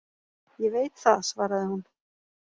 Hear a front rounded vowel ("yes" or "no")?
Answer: no